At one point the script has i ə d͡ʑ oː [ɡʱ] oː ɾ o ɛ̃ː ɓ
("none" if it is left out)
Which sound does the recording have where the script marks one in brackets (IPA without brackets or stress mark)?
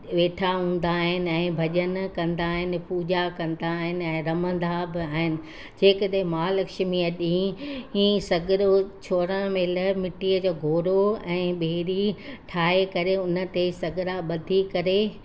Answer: ɡʱ